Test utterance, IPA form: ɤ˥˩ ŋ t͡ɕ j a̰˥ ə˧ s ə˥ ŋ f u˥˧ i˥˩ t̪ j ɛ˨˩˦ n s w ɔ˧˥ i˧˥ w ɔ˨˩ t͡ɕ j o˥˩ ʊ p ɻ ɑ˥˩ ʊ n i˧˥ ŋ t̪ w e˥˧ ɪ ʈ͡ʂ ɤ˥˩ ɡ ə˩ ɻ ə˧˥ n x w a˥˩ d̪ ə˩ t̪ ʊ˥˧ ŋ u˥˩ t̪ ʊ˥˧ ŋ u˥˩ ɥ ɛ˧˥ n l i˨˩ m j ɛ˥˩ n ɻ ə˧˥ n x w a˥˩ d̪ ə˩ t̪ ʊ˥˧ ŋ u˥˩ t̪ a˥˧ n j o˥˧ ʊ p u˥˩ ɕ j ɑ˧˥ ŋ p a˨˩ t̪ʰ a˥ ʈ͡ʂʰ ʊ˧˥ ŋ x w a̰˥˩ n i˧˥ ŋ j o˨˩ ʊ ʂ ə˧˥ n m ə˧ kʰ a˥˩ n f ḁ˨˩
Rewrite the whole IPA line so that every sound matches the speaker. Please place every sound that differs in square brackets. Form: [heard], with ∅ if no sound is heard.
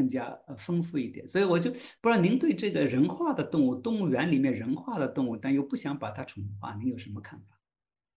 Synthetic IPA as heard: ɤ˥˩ ŋ t͡ɕ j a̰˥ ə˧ [f] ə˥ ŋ f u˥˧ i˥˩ t̪ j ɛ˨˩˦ n s w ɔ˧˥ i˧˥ w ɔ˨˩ t͡ɕ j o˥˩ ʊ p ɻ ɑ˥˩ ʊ n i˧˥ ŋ t̪ w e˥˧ ɪ ʈ͡ʂ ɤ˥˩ ɡ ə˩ ɻ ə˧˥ n x w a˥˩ d̪ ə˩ t̪ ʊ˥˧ ŋ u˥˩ t̪ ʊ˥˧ ŋ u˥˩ ɥ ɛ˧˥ n l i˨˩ m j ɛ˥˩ n ɻ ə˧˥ n x w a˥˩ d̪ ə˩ t̪ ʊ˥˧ ŋ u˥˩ t̪ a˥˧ n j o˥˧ ʊ p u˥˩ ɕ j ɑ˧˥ ŋ p a˨˩ t̪ʰ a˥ ʈ͡ʂʰ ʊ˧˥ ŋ x w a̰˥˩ n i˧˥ ŋ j o˨˩ ʊ ʂ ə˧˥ n m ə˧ kʰ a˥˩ n f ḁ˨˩